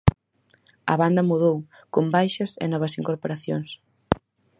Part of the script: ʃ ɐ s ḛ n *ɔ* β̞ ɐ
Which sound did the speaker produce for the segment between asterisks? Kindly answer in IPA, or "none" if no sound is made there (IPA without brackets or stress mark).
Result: ɔ